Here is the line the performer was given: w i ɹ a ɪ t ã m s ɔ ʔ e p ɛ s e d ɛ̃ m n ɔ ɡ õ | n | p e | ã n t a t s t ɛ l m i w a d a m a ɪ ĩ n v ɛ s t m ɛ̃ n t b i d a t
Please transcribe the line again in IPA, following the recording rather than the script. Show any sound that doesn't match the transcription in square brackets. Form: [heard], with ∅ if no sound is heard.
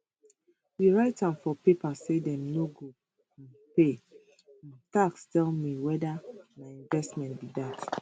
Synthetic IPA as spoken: w i ɹ a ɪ t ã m [f] ɔ [p] e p [a] s e d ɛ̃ m n [o] ɡ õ | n | p e | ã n t a [k] s t ɛ l m i w [ɛ] d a m a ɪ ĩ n v ɛ s t m ɛ̃ n t b i d a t

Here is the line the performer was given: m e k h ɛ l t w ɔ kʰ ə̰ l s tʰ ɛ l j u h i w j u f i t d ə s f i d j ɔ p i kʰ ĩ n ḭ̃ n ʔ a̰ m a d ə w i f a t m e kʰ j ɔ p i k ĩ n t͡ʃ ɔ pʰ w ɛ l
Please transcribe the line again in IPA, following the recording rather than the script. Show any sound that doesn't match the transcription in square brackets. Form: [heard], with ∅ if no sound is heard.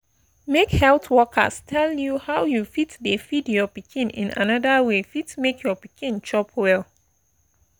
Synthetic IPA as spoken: m e k h ɛ l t w ɔ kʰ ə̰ [∅] s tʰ ɛ l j u h [a] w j u f i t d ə [∅] f i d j ɔ p i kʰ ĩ n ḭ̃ n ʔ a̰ [n] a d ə w [e] f [i] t m e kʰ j ɔ p i k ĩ n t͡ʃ ɔ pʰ w ɛ l

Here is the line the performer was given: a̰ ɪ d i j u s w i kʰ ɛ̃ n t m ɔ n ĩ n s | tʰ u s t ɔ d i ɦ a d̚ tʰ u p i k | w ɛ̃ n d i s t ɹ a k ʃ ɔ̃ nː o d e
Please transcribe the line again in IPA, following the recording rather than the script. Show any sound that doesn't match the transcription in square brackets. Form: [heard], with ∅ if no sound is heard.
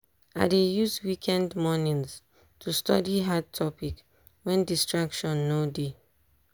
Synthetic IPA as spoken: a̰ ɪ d [e] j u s w i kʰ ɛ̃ n [d] m ɔ n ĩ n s | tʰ u s t ɔ d i ɦ a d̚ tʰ [ɔ] p i k | w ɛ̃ n d i s t ɹ a k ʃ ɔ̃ nː o d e

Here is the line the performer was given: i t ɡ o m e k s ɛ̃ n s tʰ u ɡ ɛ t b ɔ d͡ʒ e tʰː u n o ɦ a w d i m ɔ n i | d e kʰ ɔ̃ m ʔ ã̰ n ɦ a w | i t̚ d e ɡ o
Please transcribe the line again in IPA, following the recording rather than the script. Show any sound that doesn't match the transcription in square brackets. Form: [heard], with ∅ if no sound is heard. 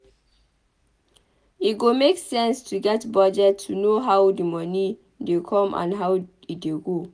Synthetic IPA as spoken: i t ɡ o m e k s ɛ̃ n s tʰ u ɡ ɛ t b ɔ d͡ʒ [ɛ] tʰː u n o ɦ a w d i m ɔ n i | d e kʰ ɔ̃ m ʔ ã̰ n ɦ a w | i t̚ d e ɡ o

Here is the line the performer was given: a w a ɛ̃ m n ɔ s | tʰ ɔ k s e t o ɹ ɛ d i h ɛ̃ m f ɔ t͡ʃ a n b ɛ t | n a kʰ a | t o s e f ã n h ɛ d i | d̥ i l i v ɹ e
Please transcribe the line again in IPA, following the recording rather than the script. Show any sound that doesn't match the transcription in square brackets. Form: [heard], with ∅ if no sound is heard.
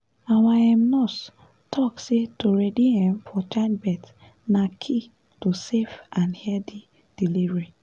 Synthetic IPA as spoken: a w a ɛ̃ m n ɔ s | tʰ ɔ k s e t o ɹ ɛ d i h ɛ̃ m f ɔ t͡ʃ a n b ɛ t | n a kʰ [i] | t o s e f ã n h ɛ d i | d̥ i l i v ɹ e

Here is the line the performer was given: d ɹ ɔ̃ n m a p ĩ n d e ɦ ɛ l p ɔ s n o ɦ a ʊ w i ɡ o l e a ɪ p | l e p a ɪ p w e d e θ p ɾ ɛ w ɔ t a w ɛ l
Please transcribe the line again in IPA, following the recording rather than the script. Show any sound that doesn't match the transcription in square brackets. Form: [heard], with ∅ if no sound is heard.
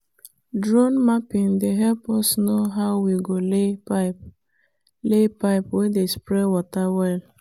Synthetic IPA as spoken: d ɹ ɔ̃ n m a p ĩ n d e ɦ ɛ l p ɔ s n o ɦ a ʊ w i ɡ o l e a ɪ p | l e p a ɪ p w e d e [s] p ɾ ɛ w ɔ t a w ɛ l

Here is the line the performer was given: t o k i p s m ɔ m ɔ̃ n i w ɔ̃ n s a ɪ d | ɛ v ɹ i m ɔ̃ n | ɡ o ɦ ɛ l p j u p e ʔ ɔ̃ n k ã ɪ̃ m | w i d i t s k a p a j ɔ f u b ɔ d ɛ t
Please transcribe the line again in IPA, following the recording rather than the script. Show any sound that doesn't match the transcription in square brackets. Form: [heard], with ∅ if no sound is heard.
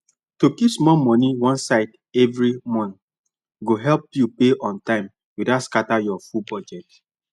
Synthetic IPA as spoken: t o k i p s m ɔ m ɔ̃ n i w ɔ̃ n s a ɪ d | ɛ v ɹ i m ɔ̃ n | ɡ o ɦ ɛ l p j u p e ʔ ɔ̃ n [t] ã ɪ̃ m | w i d [a] t s k a [t] a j ɔ f u b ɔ [d͡ʒ] ɛ t

